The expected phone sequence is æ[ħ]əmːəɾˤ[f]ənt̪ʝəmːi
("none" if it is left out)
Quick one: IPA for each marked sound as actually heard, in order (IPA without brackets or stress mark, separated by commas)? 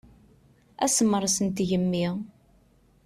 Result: s, s